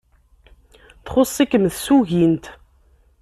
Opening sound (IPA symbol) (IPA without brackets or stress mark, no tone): θ